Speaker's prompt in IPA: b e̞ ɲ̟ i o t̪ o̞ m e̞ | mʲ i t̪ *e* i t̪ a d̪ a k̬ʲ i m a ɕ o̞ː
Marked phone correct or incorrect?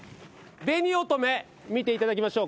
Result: correct